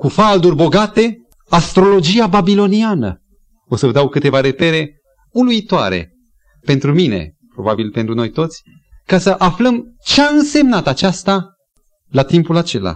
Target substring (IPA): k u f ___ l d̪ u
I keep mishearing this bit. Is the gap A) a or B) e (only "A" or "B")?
A